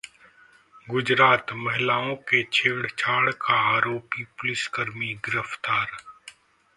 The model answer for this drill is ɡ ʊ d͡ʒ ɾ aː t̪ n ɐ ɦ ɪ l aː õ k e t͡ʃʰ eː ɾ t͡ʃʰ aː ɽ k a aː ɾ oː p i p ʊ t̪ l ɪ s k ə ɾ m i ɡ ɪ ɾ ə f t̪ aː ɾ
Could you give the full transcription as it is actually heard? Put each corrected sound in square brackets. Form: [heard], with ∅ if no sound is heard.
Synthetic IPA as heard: ɡ ʊ d͡ʒ ɾ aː t̪ [m] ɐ ɦ ɪ l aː õ k e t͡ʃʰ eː [ɽ] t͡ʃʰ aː ɽ k a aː ɾ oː p i p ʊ [∅] l ɪ s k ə ɾ m i ɡ ɪ ɾ ə f t̪ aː ɾ